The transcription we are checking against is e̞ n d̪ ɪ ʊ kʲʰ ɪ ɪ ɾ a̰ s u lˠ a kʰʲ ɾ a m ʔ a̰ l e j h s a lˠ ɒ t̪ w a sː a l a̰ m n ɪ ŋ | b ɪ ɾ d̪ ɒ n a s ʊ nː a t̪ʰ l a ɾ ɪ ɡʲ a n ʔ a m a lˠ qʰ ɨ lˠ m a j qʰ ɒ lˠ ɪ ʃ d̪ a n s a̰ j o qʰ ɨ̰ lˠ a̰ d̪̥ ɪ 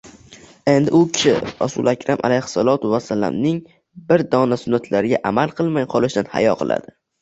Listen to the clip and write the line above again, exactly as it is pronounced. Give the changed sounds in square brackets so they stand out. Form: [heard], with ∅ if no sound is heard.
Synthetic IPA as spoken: e̞ n d̪ ɪ ʊ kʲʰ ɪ ɪ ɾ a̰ s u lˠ a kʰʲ ɾ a m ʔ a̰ l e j h s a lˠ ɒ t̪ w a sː a l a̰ m n ɪ ŋ | b ɪ ɾ d̪ ɒ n a s ʊ nː a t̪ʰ l a ɾ ɪ ɡʲ a [∅] ʔ a m a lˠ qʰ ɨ lˠ m a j qʰ ɒ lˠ ɪ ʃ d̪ a n [h] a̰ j [ɒ] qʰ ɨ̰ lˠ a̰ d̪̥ ɪ